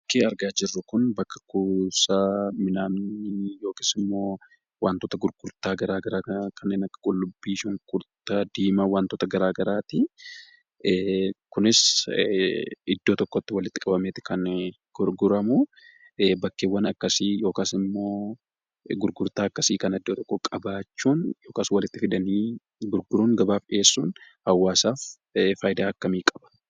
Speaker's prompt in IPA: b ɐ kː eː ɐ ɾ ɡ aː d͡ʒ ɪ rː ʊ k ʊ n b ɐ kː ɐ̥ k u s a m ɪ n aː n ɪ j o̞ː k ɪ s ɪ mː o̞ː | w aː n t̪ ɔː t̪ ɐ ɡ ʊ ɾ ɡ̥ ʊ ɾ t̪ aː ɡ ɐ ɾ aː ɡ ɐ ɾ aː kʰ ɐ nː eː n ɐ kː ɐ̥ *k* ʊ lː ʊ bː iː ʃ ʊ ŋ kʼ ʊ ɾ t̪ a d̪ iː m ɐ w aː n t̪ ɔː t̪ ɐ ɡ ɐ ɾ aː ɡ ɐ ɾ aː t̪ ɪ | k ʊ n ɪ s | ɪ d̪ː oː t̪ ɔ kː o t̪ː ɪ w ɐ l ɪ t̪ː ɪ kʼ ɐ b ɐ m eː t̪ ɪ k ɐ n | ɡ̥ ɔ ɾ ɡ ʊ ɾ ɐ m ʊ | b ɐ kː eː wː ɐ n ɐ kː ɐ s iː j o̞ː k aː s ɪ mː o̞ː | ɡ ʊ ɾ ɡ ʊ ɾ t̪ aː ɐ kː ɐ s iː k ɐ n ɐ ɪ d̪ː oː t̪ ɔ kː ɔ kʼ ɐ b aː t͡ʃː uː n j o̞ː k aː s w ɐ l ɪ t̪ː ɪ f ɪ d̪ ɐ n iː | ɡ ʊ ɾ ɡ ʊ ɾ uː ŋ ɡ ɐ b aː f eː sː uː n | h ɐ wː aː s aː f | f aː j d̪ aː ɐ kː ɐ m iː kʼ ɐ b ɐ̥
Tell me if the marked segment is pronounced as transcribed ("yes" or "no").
no